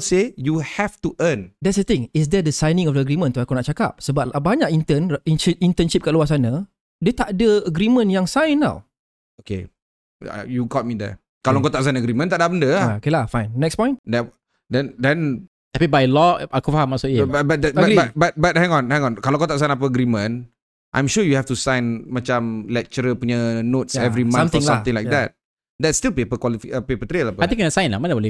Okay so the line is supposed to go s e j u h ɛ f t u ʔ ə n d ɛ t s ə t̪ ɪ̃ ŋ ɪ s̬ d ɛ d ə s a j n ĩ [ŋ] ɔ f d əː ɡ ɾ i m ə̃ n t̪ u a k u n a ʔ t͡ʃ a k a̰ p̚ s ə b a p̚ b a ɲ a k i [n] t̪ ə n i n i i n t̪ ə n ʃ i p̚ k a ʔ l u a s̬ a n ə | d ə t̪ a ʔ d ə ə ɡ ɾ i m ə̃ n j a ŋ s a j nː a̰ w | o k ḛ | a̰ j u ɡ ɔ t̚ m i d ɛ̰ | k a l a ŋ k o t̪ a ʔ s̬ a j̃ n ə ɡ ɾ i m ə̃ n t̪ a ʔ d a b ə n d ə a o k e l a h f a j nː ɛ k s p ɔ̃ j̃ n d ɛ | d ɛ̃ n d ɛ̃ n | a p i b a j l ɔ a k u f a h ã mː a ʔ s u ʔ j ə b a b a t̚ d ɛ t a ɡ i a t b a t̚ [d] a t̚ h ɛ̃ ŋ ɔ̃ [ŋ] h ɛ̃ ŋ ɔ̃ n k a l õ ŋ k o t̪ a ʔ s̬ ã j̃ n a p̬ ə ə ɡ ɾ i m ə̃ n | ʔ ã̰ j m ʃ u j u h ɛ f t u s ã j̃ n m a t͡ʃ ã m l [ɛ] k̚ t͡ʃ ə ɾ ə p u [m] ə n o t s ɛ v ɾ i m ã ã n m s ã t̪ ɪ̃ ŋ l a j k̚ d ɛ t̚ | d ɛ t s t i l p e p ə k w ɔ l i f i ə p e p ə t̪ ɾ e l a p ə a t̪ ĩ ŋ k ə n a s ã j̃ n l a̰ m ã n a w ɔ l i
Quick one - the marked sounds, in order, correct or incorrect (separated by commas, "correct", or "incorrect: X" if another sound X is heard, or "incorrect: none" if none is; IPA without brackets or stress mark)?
correct, correct, incorrect: b, incorrect: n, correct, incorrect: ɲ